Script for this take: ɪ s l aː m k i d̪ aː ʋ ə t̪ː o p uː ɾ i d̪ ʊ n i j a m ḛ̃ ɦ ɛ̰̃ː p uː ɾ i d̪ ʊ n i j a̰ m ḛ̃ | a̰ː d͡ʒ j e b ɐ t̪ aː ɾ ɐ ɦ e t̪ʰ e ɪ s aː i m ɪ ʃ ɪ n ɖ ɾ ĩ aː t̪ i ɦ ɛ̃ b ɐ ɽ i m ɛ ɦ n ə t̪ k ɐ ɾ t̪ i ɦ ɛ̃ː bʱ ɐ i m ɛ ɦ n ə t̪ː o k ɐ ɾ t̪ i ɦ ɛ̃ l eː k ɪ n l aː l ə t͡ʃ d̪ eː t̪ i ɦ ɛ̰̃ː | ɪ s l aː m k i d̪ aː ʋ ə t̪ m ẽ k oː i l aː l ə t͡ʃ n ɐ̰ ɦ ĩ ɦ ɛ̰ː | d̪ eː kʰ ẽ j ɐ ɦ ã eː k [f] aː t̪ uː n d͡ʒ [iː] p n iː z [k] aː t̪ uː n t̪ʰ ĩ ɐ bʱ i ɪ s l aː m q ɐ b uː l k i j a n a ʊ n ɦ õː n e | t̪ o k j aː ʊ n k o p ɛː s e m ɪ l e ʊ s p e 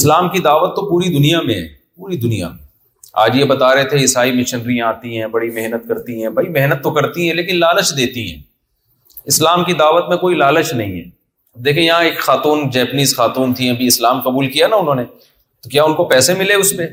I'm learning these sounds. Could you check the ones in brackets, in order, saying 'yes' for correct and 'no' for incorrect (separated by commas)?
no, no, no